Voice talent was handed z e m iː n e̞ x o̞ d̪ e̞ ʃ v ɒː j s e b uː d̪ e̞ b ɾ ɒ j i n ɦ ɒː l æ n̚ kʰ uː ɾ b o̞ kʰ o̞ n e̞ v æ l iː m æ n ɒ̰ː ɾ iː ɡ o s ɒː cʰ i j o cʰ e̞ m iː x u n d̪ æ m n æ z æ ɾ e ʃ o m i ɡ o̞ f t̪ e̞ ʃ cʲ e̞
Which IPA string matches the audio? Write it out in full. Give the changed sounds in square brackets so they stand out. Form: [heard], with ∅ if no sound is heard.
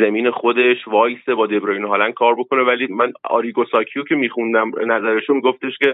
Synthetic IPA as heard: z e m iː n e̞ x o̞ d̪ e̞ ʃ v ɒː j s e b [ɒː] d̪ e̞ b ɾ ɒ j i n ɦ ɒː l æ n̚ kʰ [ɒː] ɾ b o̞ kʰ o̞ n e̞ v æ l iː m æ n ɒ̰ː ɾ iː ɡ o s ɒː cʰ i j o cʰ e̞ m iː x u n d̪ æ m n æ z æ ɾ e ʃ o m i ɡ o̞ f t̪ e̞ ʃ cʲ e̞